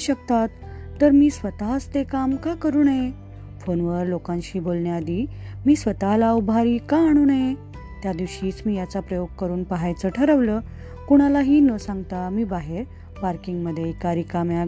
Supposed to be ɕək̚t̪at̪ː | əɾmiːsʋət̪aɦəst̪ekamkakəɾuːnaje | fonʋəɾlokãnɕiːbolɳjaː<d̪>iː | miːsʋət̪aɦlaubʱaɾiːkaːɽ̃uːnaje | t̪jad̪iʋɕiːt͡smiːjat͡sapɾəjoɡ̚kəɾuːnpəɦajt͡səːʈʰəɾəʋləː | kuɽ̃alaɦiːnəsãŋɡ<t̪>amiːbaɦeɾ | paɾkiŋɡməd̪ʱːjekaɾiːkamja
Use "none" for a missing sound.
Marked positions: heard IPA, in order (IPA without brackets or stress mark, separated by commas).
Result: d̪, t̪